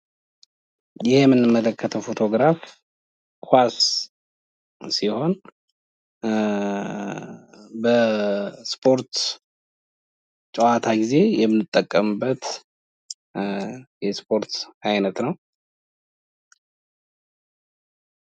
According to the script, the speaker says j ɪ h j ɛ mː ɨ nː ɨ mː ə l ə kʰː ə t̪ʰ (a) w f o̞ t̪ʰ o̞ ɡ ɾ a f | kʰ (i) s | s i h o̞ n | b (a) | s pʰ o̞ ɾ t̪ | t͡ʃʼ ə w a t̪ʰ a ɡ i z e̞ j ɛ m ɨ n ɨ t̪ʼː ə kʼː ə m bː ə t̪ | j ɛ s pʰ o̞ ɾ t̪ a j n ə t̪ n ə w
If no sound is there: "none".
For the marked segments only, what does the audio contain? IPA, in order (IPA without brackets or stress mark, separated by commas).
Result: ə, a, ə